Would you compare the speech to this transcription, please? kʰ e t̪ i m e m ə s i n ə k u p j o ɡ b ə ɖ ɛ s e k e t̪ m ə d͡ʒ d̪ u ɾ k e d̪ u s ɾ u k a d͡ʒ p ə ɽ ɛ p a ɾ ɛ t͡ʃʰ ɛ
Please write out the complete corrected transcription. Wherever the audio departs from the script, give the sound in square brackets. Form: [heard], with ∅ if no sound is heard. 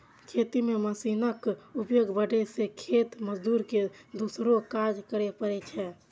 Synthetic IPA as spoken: kʰ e t̪ i m e m ə s i n ə k u p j o ɡ b ə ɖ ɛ s e [kʰ] e t̪ m ə d͡ʒ d̪ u ɾ k e d̪ u s ɾ [o] k a d͡ʒ [k] ə [ɾ] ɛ p [ə] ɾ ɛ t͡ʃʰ ɛ